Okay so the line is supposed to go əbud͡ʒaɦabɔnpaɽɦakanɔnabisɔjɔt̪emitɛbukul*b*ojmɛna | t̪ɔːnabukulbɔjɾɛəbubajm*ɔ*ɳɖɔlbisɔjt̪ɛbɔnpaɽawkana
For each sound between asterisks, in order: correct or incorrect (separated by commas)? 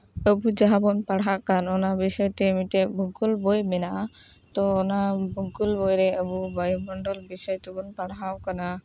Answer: correct, correct